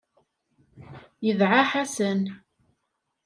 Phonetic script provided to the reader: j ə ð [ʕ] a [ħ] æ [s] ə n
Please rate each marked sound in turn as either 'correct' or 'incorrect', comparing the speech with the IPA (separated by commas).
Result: correct, correct, correct